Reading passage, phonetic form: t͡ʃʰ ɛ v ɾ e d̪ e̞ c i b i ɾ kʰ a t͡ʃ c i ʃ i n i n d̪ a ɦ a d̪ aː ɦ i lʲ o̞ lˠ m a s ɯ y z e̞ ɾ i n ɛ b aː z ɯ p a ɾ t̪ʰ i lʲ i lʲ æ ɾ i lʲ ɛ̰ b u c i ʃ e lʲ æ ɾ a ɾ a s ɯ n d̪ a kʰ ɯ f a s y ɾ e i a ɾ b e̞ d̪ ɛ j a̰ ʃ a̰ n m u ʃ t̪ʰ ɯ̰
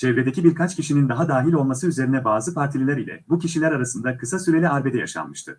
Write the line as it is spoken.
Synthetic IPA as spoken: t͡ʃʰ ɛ v ɾ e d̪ e̞ c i b i ɾ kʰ a t͡ʃ c i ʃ i n i n d̪ a ɦ a d̪ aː ɦ i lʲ o̞ lˠ m a s ɯ y z e̞ ɾ i n ɛ b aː z ɯ p a ɾ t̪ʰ i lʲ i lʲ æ ɾ i lʲ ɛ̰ b u c i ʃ i lʲ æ ɾ a ɾ a s ɯ n d̪ a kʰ ɯ s a s y ɾ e i a ɾ b e̞ d̪ ɛ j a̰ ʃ a̰ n m ɯ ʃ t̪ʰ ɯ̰